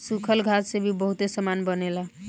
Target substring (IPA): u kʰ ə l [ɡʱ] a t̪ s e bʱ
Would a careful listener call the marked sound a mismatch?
no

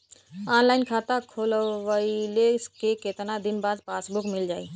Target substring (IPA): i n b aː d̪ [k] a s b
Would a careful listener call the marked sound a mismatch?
yes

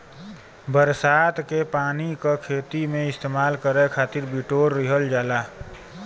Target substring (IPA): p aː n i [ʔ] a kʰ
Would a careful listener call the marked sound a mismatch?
yes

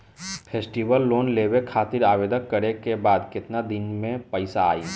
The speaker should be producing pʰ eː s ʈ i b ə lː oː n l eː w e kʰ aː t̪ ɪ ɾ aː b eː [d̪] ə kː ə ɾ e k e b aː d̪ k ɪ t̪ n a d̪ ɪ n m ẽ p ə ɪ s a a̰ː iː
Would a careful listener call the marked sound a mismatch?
no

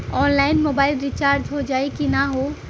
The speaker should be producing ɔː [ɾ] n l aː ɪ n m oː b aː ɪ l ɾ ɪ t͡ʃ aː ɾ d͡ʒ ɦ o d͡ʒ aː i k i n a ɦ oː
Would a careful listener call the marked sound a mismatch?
yes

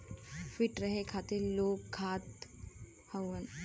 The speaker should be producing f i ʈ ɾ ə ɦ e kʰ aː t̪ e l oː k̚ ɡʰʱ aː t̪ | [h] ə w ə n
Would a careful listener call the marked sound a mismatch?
no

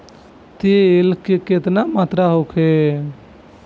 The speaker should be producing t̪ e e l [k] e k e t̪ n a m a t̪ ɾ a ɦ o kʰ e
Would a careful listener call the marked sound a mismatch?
no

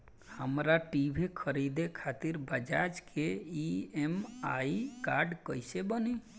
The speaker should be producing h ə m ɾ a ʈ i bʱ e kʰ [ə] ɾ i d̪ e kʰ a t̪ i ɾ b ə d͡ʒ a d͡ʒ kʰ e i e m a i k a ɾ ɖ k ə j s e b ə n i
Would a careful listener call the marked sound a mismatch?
no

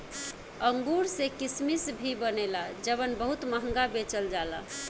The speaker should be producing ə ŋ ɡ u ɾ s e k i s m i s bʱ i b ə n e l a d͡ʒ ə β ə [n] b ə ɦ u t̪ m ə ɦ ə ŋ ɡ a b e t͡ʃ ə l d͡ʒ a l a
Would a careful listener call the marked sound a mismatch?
no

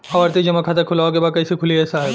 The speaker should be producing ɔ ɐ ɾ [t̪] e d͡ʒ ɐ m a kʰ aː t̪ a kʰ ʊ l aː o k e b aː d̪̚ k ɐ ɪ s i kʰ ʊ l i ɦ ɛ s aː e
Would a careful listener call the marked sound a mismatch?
no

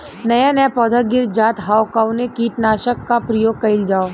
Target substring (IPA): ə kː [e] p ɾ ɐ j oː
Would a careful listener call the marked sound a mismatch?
yes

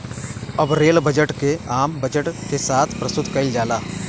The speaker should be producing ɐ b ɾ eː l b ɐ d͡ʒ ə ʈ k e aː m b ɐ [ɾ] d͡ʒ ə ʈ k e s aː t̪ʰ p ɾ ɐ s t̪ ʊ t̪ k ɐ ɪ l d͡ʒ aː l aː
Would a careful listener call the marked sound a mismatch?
yes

